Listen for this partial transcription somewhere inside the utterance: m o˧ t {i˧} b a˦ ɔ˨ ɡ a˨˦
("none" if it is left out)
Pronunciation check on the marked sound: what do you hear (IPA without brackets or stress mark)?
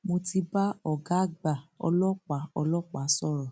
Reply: i˧